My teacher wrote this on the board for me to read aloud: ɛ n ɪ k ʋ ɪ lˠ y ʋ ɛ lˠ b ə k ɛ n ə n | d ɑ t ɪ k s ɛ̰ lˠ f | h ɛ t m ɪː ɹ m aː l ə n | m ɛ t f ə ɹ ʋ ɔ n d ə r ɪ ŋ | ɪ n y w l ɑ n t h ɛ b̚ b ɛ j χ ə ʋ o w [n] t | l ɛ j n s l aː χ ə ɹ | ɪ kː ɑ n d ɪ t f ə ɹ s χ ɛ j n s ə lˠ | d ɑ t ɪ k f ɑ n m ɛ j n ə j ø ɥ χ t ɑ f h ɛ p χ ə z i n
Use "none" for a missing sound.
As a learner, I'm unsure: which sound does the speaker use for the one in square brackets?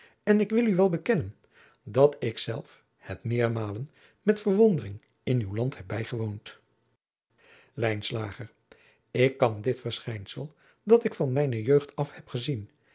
n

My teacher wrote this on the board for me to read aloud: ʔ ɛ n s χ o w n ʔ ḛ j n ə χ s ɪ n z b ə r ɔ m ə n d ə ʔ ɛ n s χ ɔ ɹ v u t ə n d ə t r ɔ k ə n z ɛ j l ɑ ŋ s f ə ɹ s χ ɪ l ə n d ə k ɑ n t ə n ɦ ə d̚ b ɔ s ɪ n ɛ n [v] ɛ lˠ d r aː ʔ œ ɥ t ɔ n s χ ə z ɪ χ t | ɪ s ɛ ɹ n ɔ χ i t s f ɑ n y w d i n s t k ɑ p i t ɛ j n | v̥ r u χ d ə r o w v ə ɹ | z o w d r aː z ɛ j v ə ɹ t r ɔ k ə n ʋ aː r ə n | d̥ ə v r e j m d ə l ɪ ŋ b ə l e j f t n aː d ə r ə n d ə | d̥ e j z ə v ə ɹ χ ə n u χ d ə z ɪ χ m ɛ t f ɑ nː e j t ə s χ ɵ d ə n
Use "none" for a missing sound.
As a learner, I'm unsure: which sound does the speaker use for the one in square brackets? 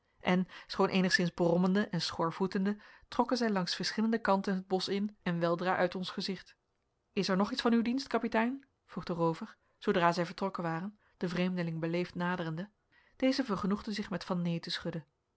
ʋ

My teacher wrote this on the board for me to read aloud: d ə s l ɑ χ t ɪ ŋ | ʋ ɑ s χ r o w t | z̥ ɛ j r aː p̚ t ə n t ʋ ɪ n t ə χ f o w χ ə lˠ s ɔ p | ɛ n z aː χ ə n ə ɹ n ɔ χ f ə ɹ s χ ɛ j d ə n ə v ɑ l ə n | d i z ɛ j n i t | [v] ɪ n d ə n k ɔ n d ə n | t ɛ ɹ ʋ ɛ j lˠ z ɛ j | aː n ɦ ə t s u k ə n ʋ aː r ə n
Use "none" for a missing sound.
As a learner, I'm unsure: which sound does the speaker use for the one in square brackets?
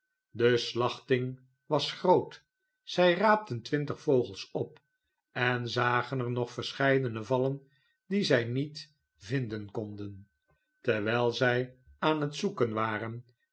v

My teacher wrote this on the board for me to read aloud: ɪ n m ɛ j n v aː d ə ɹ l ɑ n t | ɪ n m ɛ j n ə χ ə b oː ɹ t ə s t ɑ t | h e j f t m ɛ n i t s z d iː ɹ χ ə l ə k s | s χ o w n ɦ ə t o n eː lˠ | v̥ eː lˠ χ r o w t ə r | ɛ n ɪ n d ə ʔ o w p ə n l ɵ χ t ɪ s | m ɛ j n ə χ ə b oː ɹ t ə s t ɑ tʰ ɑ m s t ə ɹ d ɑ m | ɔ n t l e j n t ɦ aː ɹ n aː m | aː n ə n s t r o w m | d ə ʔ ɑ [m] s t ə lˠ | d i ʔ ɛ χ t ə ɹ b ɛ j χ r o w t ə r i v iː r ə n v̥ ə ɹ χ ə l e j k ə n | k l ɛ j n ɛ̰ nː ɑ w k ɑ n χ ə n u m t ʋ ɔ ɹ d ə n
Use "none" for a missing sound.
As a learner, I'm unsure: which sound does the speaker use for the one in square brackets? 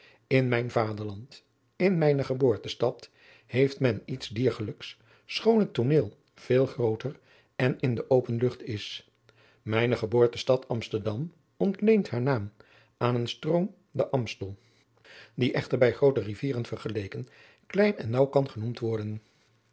m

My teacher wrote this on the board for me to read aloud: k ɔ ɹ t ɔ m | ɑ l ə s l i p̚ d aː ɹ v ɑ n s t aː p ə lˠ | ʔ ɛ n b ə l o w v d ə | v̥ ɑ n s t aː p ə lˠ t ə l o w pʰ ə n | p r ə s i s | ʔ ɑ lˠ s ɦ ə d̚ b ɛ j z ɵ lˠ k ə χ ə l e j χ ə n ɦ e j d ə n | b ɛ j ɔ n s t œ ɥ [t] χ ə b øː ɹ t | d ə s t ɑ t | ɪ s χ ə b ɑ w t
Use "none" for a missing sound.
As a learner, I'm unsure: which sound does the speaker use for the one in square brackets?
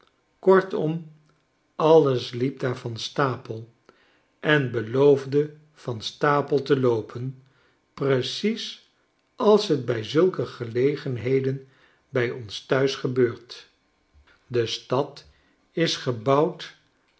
s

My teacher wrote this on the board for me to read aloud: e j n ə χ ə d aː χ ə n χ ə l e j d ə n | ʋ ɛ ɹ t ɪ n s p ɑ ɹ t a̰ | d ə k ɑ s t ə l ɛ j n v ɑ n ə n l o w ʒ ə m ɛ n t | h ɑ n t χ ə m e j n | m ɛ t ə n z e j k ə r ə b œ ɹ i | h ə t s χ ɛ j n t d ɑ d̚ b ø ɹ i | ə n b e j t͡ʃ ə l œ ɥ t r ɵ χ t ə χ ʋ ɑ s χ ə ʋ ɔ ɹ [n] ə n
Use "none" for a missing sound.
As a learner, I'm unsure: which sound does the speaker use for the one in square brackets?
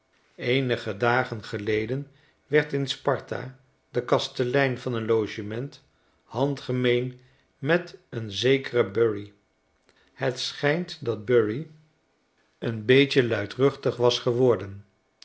d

